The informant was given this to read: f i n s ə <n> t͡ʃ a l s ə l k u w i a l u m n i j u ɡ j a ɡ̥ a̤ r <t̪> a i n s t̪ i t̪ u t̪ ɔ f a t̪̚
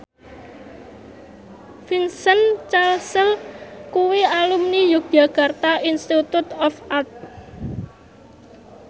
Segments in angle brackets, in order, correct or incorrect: correct, correct

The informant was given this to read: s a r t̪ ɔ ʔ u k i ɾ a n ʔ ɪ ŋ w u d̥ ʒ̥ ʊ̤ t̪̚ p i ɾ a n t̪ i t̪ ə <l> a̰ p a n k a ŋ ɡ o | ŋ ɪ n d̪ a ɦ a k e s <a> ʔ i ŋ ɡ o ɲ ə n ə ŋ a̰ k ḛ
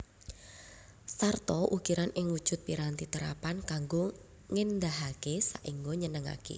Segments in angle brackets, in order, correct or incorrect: incorrect, correct

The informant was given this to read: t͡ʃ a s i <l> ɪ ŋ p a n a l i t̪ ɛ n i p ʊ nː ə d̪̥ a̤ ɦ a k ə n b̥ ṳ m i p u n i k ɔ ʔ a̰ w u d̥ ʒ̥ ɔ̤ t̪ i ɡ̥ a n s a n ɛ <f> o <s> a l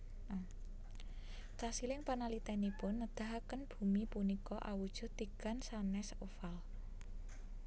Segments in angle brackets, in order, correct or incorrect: correct, incorrect, incorrect

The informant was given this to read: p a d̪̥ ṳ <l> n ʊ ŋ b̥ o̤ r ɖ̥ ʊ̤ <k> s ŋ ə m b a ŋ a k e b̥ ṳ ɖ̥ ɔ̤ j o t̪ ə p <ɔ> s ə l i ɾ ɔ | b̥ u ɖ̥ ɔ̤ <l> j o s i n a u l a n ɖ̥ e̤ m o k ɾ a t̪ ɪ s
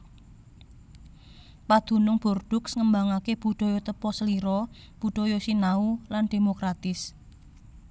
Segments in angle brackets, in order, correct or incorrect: incorrect, correct, correct, incorrect

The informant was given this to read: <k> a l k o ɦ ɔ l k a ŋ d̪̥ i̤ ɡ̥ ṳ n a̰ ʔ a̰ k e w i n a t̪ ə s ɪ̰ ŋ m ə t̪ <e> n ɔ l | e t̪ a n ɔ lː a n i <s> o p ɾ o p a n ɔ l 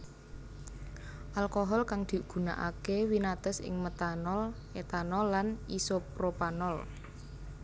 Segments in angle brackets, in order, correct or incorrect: incorrect, incorrect, correct

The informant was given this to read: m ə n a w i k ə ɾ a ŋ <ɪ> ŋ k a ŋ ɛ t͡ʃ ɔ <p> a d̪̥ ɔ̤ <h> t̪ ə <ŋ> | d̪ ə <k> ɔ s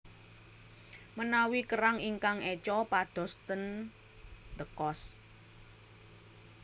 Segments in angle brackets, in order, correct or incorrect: incorrect, correct, incorrect, incorrect, correct

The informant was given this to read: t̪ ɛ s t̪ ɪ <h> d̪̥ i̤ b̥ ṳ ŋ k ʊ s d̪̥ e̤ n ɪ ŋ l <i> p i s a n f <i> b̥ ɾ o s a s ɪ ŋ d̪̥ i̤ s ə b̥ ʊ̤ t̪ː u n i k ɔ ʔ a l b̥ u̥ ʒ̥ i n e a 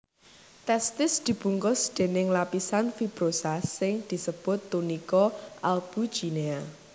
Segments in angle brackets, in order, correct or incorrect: incorrect, incorrect, correct

